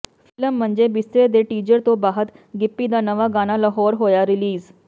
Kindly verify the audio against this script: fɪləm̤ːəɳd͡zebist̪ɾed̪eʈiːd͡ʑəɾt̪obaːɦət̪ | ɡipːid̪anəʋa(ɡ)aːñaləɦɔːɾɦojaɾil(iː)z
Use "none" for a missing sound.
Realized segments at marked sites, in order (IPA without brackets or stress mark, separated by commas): ɡ, iː